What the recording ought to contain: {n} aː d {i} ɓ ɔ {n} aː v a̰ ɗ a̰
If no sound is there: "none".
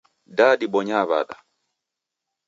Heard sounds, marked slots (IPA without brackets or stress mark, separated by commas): d, i, ɲ